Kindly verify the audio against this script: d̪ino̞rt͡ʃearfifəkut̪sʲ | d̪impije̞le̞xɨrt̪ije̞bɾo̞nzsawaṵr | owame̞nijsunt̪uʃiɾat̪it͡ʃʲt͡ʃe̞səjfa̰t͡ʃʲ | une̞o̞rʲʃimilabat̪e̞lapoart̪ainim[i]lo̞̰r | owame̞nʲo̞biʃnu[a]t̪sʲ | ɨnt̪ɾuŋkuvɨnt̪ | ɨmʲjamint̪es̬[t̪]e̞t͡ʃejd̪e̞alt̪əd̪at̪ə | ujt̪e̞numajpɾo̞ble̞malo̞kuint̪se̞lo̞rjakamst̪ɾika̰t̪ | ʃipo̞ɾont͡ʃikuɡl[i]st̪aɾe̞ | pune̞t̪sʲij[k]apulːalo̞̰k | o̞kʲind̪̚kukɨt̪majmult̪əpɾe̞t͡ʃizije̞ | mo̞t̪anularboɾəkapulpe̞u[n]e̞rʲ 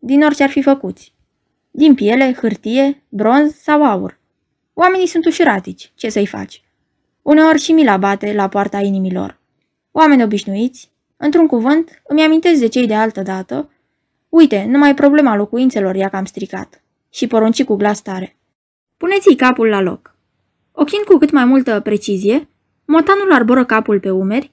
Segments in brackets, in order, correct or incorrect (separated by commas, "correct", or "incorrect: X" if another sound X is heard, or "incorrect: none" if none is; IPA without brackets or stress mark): correct, incorrect: i, incorrect: d̪, incorrect: a, correct, incorrect: m